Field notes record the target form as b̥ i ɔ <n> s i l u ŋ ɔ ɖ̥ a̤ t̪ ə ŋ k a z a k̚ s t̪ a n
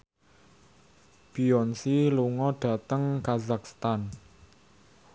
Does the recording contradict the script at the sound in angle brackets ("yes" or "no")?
no